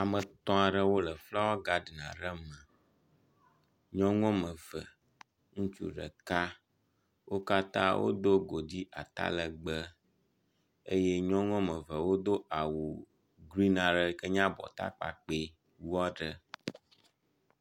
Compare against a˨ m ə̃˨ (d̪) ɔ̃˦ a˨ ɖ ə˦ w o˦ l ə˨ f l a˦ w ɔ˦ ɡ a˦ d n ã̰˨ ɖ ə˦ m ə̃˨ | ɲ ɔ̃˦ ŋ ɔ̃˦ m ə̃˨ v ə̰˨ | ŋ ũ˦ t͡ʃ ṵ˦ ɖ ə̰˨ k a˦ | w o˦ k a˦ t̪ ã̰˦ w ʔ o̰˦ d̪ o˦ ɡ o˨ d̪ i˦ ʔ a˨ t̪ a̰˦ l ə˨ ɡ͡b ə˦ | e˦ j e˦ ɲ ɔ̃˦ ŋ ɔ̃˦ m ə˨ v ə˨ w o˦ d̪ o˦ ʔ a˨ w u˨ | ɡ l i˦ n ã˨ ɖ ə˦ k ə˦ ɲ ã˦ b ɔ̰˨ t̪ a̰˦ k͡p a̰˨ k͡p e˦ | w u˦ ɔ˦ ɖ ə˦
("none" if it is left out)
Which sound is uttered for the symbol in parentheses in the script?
t̪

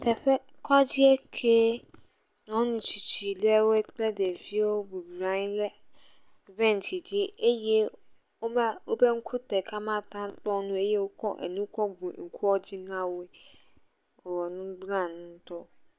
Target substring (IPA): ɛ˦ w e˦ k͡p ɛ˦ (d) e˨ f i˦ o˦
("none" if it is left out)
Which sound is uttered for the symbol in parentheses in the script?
d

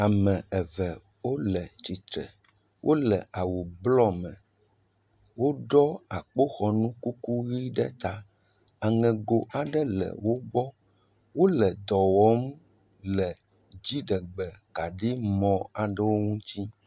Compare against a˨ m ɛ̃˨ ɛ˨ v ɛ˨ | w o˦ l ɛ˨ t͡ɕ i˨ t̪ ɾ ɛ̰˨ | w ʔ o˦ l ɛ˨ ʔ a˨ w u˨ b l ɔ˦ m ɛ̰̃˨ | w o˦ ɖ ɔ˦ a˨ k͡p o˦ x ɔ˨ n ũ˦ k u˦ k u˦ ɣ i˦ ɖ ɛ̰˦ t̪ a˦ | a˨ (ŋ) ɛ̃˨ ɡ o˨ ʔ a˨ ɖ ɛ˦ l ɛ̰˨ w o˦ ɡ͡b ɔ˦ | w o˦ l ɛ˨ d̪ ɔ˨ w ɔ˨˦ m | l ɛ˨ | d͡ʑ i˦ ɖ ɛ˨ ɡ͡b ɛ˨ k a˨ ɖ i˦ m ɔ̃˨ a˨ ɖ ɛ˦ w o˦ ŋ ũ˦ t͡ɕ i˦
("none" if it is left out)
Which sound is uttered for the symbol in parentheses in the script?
ŋ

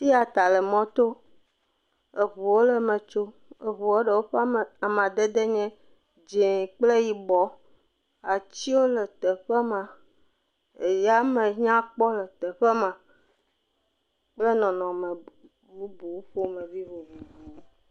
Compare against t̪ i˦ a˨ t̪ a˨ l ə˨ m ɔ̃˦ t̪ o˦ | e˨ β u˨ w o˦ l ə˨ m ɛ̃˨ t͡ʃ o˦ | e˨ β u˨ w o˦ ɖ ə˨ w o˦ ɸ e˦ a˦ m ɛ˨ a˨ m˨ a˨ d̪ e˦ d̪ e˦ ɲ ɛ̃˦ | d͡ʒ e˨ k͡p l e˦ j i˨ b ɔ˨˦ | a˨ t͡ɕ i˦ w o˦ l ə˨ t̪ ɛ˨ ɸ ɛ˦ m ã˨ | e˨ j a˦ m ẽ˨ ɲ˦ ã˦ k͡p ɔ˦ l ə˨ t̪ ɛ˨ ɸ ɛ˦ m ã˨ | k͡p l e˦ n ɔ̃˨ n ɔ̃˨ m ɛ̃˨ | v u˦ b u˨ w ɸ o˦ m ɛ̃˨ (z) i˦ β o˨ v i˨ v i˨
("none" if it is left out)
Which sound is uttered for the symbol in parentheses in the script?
v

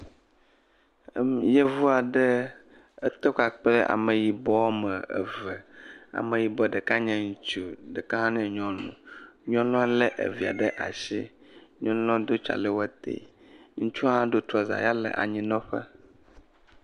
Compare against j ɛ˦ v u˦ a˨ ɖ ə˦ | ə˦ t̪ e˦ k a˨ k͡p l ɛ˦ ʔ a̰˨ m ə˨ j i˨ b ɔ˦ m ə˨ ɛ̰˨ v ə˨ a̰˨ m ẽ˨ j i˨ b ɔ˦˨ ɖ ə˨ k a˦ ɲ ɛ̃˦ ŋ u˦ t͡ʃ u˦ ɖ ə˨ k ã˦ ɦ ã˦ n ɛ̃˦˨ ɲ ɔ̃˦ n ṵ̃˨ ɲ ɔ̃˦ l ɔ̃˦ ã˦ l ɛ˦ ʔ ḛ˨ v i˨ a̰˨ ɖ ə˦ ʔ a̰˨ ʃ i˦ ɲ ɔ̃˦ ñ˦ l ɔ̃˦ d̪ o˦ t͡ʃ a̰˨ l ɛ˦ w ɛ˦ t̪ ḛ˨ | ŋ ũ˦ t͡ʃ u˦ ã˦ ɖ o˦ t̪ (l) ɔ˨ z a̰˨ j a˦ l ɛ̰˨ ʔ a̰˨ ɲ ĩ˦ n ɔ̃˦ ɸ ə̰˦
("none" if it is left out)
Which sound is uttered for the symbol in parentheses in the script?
ɾ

